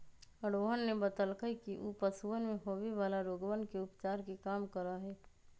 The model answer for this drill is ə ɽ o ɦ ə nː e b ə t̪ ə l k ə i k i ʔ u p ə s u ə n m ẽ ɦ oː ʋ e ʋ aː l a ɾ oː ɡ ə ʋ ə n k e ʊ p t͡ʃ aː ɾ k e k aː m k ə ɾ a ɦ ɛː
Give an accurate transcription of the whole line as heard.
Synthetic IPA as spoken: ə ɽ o ɦ ə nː e b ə t̪ ə l k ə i k i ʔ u p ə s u ə n m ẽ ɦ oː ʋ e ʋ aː l a ɾ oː ɡ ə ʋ ə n k e ʊ p t͡ʃ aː ɾ k e k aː m k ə ɾ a ɦ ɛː